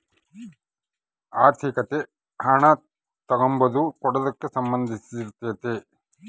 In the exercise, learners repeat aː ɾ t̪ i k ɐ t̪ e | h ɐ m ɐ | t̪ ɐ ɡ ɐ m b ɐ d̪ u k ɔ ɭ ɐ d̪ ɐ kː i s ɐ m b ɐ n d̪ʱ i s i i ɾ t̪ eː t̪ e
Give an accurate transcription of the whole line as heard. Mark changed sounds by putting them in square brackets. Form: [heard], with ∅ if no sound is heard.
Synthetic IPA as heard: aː ɾ [t̪ʰ] i k ɐ t̪ e | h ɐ [ɳ] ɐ | t̪ ɐ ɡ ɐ m b ɐ d̪ u k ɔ [ɽ] ɐ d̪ ɐ kː [e] s ɐ m b ɐ n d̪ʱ i s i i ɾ t̪ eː t̪ e

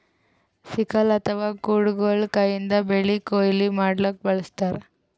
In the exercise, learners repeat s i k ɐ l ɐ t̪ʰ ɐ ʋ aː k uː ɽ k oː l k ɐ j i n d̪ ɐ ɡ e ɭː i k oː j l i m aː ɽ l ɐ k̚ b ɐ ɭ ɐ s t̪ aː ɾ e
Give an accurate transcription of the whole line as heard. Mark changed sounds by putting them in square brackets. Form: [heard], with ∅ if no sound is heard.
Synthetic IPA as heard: s i k ɐ l ɐ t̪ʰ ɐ ʋ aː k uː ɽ [ɡ] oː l k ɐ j i n d̪ ɐ [b] e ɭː i k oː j l i m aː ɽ l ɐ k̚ b ɐ ɭ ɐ s t̪ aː ɾ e

